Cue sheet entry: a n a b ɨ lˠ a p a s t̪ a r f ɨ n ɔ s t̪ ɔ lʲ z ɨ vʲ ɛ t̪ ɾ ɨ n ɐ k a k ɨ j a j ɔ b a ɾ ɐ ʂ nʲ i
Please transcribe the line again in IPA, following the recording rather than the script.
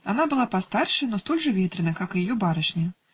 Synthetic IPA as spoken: a n a b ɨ lˠ a p a s t̪ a r ʂ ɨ n ɔ s t̪ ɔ lʲ ʐ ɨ vʲ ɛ t̪ ɾ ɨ n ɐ k a k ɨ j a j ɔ b a ɾ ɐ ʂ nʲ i